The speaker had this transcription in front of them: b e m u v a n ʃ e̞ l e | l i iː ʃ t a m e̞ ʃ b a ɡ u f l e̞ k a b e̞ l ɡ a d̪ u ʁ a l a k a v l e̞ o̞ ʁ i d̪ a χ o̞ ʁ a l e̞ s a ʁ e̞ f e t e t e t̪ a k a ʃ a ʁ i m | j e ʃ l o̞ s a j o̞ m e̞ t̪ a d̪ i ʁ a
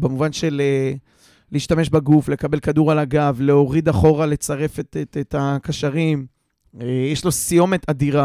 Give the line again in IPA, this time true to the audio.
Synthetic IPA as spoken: b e m u v a n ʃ e̞ l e | l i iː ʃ t a m e̞ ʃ b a ɡ u f l e̞ k a b e̞ l k a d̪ u ʁ a l a ɡ a v l e̞ o̞ ʁ i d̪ a χ o̞ ʁ a l e̞ t͡s a ʁ e̞ f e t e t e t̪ a k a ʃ a ʁ i m | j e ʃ l o̞ s i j o̞ m e̞ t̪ a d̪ i ʁ a